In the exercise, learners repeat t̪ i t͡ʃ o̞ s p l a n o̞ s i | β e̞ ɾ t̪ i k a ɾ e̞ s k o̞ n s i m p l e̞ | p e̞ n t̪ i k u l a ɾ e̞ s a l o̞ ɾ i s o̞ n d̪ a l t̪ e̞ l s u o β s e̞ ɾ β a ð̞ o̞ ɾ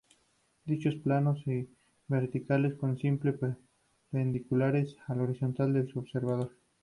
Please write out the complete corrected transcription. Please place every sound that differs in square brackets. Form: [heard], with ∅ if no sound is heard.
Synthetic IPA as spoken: [d̪] i t͡ʃ o̞ s p l a n o̞ s i | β e̞ ɾ t̪ i k a [l] e̞ s k o̞ n s i m p l e̞ | p e̞ n [d̪] i k u l a ɾ e̞ s a l o̞ ɾ i s o̞ n [t̪] a l [d̪] e̞ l s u o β s e̞ ɾ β a ð̞ o̞ ɾ